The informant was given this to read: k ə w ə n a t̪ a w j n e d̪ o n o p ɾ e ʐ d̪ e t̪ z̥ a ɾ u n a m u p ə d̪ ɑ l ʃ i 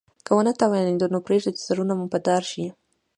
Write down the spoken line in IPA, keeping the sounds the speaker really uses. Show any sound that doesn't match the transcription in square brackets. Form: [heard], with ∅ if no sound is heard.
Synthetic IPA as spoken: k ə w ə n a t̪ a w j n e d̪ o n o p ɾ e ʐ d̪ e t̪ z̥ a ɾ u n a m u p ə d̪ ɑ [ɾ] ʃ i

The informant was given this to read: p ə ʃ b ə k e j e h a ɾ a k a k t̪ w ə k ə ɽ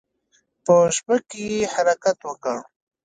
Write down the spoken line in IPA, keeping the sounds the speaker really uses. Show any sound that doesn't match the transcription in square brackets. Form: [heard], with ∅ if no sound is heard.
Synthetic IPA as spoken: p ə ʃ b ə k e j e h a ɾ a k a [∅] t̪ w ə k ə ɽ

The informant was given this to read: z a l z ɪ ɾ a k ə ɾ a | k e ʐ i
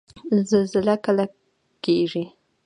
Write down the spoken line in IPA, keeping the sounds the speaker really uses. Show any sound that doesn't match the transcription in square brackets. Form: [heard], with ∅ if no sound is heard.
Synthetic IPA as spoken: z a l z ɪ [l] a k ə [l] a | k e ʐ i

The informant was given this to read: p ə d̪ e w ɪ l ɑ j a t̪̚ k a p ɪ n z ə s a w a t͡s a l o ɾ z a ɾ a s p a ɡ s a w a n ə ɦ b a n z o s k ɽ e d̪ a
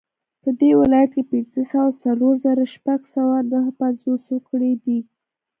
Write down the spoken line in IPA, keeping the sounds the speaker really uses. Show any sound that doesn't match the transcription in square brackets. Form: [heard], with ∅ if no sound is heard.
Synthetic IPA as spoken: p ə d̪ e w ɪ l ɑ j a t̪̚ k [e] p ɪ n z ə s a w a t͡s a l o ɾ z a ɾ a [ʃ] p a ɡ s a w a n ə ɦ [p] a n z o s k ɽ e d̪ [i]

